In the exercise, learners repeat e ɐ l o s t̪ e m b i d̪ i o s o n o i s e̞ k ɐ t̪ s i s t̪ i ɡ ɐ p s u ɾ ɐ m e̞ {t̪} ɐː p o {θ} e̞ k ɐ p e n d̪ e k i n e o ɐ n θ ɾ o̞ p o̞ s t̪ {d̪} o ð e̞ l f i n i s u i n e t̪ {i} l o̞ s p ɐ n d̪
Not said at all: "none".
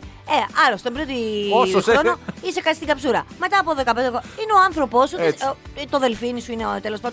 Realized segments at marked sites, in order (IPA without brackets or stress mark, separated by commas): t̪, ð, t̪, e